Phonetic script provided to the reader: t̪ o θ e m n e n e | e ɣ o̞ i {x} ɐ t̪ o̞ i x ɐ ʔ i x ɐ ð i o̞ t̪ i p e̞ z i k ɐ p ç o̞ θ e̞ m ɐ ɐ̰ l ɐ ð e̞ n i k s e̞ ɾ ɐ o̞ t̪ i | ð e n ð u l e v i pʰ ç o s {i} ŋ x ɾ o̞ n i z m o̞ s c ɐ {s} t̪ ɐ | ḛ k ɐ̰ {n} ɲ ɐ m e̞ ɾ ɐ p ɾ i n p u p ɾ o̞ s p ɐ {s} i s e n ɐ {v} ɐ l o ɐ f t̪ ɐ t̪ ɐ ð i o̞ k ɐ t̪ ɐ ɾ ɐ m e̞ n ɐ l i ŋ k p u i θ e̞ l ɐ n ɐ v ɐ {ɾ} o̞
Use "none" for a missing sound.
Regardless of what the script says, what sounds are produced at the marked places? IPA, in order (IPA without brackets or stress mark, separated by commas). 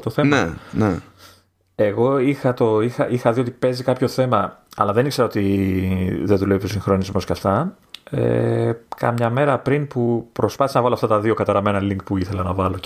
x, i, f, m, θ, v, l